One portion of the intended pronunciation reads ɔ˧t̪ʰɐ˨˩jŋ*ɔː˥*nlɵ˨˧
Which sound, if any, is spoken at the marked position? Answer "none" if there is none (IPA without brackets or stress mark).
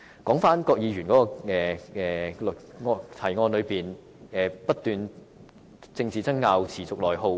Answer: ɔː˧